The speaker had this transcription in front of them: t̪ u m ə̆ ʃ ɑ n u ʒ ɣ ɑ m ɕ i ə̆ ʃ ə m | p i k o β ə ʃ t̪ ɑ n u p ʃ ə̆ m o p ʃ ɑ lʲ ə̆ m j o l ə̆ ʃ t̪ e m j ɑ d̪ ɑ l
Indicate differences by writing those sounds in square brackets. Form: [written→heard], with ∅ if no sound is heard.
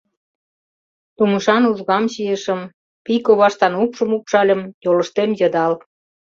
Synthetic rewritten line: t̪ u m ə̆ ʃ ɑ n u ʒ ɣ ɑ m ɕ i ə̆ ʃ ə m | p i k o β [ə→ɑ] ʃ t̪ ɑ n u p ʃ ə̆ m [o→u] p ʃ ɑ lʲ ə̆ m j o l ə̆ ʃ t̪ e m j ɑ d̪ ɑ l